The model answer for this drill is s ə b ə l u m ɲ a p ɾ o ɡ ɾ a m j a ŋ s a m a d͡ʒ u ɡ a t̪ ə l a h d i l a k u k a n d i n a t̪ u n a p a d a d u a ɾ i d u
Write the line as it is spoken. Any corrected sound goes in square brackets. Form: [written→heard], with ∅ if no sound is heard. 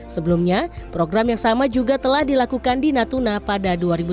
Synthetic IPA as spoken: s ə b ə l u m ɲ a p ɾ o ɡ ɾ a m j a ŋ s a m a d͡ʒ u ɡ a t̪ ə l a h d i l a k u k a n d i n a t̪ u n a p a d a d u a ɾ i [d→b] u